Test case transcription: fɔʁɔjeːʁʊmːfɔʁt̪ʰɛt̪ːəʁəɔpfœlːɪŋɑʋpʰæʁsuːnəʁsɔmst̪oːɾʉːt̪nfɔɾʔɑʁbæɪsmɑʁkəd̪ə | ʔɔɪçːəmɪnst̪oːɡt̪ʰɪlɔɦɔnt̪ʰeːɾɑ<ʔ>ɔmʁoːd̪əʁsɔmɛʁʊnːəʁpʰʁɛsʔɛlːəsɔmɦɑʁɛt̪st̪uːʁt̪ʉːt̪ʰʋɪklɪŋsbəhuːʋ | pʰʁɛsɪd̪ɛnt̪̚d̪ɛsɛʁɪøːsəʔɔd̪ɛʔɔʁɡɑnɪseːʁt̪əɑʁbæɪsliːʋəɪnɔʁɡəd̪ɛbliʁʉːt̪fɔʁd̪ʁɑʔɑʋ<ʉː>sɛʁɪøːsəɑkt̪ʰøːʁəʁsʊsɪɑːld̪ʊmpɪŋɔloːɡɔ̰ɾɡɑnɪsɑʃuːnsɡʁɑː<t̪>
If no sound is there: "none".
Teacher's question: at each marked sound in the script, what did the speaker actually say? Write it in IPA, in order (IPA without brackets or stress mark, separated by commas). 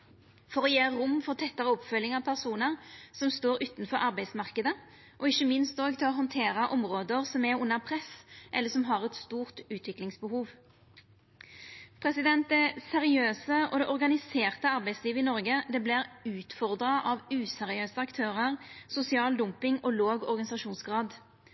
ʔ, ʉː, d̪